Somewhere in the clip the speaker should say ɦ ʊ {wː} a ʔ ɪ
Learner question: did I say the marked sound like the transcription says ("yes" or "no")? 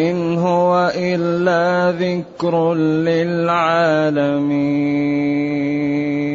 no